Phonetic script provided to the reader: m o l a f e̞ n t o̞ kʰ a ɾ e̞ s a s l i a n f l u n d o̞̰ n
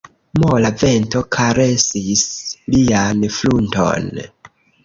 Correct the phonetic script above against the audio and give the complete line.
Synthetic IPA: m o l a v e̞ n t o̞ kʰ a ɾ e̞ s i s l i a n f l u n t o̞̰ n